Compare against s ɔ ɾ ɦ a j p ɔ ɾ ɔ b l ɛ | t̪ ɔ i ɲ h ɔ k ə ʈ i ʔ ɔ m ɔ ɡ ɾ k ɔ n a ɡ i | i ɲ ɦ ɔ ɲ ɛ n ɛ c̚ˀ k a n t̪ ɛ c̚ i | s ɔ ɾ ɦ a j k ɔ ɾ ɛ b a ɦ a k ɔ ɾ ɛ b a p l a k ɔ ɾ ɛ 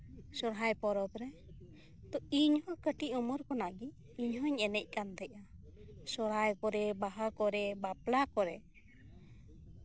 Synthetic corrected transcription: s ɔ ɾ ɦ a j p ɔ ɾ ɔ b ɾ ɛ | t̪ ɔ i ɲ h ɔ k ə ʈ i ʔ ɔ m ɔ ɾ k ɔ n a ɡ i | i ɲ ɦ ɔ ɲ ɛ n ɛ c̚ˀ k a n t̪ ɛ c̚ a | s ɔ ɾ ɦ a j k ɔ ɾ ɛ b a ɦ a k ɔ ɾ ɛ b a p l a k ɔ ɾ ɛ